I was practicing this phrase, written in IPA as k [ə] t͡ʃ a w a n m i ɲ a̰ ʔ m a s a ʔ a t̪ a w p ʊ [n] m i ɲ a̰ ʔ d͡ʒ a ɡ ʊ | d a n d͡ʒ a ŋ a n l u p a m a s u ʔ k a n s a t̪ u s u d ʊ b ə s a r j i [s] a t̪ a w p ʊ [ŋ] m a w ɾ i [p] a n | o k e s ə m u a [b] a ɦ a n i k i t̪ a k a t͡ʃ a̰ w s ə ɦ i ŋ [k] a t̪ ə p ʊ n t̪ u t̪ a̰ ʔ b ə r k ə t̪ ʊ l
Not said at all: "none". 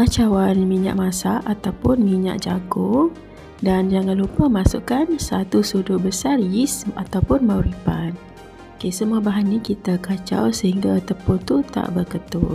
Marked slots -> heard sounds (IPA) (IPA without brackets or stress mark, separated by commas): a, n, s, n, p, b, ɡ